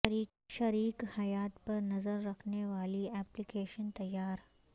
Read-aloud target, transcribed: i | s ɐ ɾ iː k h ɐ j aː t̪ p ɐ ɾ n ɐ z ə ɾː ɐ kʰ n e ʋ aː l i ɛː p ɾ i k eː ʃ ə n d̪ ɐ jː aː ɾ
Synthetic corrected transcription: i | ʃ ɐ ɾ iː k h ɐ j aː t̪ p ɐ ɾ n ɐ z ə ɾː ɐ kʰ n e ʋ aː l i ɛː p l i k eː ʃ ə n t̪ ɐ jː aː ɾ